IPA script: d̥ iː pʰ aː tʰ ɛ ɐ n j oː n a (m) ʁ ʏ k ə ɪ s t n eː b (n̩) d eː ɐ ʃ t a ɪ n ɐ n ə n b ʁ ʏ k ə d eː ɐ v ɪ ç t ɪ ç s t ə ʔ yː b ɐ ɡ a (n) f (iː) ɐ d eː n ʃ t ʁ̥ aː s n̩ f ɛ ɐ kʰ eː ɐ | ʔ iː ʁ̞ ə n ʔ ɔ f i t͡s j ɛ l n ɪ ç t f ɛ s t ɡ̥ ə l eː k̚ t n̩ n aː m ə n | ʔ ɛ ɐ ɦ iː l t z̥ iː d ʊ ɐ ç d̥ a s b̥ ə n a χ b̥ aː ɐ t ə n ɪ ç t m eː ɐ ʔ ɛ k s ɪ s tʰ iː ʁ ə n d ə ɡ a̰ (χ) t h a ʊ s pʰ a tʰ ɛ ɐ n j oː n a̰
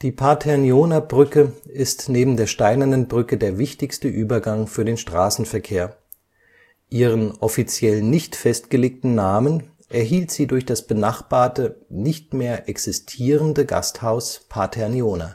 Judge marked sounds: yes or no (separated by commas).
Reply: no, no, no, no, no